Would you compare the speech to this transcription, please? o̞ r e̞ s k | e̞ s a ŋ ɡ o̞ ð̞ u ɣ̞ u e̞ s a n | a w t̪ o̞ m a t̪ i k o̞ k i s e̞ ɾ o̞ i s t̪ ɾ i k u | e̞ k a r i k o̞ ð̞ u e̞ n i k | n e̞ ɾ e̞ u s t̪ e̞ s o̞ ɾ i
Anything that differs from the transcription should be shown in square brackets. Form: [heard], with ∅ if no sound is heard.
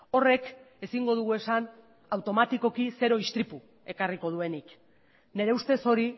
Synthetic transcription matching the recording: o̞ r e̞ [∅] k | e̞ s [i] ŋ ɡ o̞ ð̞ u ɣ̞ u e̞ s a n | a w t̪ o̞ m a t̪ i k o̞ k i s e̞ ɾ o̞ i s t̪ ɾ i [p] u | e̞ k a r i k o̞ ð̞ u e̞ n i k | n e̞ ɾ e̞ u s t̪ e̞ s o̞ ɾ i